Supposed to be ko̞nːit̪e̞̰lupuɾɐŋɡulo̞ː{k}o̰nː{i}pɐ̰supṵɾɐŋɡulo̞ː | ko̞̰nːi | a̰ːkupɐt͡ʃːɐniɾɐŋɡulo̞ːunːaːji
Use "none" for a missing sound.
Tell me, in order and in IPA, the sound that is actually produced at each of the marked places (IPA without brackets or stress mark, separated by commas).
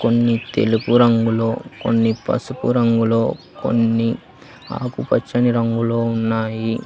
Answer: k, i